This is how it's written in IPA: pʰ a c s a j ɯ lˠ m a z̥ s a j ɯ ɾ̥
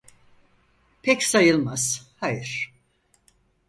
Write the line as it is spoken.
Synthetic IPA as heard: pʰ ɛ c s a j ɯ lˠ m a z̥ h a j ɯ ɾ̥